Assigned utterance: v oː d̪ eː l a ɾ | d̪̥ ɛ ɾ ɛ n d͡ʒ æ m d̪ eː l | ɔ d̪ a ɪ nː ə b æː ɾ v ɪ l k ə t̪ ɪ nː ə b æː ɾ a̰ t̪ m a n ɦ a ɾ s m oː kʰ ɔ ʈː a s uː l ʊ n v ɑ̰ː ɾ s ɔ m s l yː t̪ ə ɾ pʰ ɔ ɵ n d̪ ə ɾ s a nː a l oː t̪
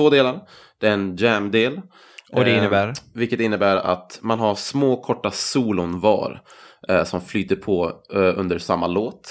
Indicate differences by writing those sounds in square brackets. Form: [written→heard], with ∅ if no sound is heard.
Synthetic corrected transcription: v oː d̪ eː l a ɾ | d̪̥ ɛ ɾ ɛ n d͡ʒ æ m d̪ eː l | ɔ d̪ [a→ɛ] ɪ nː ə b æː ɾ v ɪ l k ə t̪ ɪ nː ə b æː ɾ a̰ t̪ m a n ɦ a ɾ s m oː kʰ ɔ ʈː a s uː l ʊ n v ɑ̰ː ɾ s ɔ m [s→f] l yː t̪ ə ɾ pʰ ɔ ɵ n d̪ ə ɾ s a [nː→mː] a l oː t̪